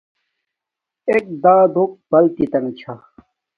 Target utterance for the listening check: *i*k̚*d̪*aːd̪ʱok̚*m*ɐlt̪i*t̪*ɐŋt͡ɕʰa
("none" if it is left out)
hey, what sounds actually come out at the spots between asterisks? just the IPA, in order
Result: e, d̪, b, t̪

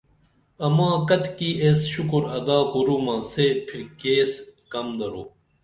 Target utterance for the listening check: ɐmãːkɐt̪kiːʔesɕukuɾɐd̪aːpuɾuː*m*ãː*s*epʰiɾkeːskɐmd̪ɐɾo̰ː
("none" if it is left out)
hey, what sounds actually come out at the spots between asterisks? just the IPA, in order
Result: m, s

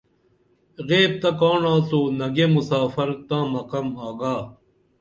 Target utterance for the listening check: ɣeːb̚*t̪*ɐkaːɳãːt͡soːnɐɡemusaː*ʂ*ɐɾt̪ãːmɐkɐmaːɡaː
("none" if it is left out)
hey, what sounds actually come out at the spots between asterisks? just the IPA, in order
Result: t̪, f

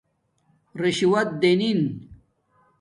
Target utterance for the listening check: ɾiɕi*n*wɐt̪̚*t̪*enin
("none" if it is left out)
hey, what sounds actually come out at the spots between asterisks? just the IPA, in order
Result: none, d̪

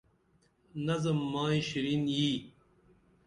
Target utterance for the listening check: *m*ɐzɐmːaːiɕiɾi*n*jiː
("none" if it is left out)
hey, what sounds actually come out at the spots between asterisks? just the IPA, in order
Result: n, n

